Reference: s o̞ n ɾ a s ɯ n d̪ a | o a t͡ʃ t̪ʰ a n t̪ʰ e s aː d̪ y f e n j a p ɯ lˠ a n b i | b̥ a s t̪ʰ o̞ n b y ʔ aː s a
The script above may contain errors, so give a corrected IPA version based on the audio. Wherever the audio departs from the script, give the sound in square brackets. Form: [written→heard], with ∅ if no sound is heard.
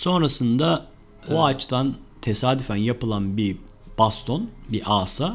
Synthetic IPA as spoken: s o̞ n ɾ a s ɯ n d̪ a | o a t͡ʃ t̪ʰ a n t̪ʰ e s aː d̪ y f [e→æ] n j a p ɯ lˠ a n b i | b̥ a s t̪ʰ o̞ n b [y→i] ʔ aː s a